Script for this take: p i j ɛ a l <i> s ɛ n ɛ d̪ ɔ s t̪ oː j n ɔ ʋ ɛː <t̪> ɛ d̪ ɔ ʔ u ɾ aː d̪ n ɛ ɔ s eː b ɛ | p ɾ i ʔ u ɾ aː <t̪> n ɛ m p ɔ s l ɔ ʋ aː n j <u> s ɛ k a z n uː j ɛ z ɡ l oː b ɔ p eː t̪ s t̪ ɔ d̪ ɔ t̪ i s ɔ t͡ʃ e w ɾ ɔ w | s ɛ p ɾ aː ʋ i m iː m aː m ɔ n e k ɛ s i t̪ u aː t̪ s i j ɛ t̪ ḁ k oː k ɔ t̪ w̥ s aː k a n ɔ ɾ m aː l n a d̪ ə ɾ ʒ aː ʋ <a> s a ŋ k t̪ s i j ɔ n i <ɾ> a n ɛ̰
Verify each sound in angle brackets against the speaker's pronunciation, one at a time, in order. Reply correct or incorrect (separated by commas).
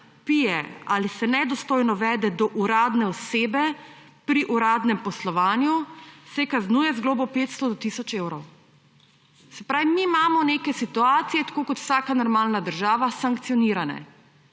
correct, incorrect, incorrect, correct, correct, correct